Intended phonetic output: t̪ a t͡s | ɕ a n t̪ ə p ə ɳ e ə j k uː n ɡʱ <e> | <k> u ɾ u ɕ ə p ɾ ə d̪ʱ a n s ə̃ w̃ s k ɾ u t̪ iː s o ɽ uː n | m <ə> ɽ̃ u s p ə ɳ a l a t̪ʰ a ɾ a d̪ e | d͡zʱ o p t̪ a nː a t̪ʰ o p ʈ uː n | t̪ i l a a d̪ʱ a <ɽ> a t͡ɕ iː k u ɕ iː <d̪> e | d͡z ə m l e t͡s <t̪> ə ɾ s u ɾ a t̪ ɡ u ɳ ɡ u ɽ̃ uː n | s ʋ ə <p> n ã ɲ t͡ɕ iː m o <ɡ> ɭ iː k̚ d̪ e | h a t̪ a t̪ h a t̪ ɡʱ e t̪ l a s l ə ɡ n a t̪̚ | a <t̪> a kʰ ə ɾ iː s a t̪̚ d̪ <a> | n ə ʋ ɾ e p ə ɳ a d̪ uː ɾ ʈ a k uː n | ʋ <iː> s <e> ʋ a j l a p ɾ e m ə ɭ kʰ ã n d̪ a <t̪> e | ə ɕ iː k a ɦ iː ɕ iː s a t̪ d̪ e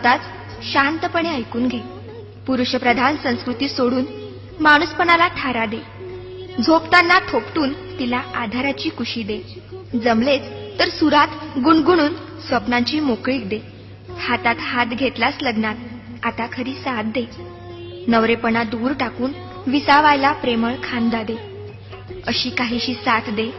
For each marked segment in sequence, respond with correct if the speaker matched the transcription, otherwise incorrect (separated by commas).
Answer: correct, incorrect, incorrect, incorrect, correct, correct, correct, incorrect, correct, incorrect, incorrect, incorrect, incorrect